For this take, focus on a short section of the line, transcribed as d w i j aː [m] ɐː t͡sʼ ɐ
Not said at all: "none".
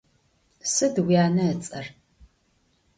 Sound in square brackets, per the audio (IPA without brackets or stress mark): n